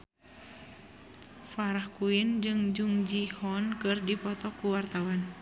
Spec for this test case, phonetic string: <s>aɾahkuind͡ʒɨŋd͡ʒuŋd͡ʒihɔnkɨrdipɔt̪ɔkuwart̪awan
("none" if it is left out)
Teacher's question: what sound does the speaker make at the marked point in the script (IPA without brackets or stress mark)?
f